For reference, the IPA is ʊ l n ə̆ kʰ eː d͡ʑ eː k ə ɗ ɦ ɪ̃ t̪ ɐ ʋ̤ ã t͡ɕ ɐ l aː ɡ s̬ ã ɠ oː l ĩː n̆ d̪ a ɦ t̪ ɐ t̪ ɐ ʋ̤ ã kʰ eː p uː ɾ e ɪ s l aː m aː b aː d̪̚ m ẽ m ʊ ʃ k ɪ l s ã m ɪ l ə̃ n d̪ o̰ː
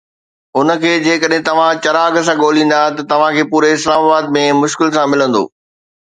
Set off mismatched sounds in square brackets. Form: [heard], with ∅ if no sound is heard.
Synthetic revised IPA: ʊ [∅] n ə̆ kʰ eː d͡ʑ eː k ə ɗ ɦ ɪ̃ t̪ ɐ ʋ̤ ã t͡ɕ ɐ [ɾ] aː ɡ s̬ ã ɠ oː l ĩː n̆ d̪ a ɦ t̪ ɐ t̪ ɐ ʋ̤ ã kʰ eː p uː ɾ e ɪ s l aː m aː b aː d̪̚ m ẽ m ʊ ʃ k ɪ l s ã m ɪ l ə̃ n d̪ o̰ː